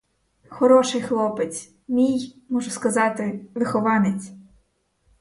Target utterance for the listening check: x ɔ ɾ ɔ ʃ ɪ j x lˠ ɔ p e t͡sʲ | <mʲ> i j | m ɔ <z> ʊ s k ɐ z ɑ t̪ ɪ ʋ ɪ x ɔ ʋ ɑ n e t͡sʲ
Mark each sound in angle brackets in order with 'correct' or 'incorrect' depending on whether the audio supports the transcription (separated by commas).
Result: correct, incorrect